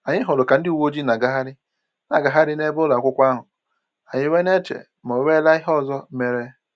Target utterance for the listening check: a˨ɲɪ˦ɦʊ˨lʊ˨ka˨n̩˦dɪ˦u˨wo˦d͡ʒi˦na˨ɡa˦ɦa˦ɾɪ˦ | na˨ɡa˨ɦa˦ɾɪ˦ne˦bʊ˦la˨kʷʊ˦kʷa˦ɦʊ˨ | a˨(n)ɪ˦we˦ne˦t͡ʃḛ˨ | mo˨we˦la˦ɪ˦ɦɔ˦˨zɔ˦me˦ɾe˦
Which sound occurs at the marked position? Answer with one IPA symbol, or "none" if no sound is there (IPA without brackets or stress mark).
ɲ